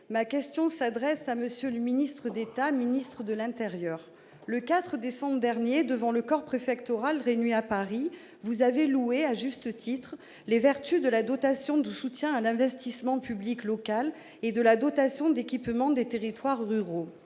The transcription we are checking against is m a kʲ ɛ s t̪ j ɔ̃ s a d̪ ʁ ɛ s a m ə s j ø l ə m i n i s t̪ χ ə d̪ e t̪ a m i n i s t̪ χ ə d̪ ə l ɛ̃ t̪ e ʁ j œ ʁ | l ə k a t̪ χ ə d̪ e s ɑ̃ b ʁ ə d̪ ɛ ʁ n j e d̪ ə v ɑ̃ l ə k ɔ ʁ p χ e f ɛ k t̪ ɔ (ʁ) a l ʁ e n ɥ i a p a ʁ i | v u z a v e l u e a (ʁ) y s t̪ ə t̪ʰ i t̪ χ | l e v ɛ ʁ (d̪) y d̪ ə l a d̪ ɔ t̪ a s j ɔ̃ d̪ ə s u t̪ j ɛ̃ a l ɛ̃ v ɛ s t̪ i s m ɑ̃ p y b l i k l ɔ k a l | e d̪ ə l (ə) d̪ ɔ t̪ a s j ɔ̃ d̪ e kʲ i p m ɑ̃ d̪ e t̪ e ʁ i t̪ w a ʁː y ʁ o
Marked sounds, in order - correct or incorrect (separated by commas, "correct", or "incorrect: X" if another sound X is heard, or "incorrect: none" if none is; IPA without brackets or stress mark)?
correct, incorrect: ʒ, incorrect: t̪, incorrect: a